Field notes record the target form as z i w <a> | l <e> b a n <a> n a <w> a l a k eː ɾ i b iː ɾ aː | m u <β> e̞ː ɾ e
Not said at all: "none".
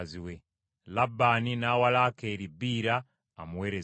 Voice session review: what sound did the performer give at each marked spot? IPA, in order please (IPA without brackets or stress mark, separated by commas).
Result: e, a, i, w, w